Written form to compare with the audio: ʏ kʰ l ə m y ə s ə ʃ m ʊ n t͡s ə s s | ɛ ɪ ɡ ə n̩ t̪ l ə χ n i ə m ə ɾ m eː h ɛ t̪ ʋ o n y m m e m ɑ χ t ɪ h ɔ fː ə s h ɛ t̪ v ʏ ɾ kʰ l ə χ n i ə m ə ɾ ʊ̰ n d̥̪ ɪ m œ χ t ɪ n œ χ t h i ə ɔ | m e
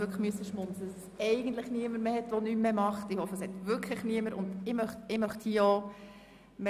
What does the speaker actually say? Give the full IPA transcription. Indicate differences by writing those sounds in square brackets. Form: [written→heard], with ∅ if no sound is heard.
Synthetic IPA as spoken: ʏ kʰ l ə m y ə s ə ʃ m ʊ n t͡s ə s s | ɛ ɪ ɡ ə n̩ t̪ l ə χ n i ə m ə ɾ m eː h ɛ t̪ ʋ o n y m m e m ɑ χ t ɪ h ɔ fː ə s h ɛ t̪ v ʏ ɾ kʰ l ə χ n i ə m ə ɾ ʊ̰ n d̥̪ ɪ m œ χ t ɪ [n→m] œ χ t h i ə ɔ | m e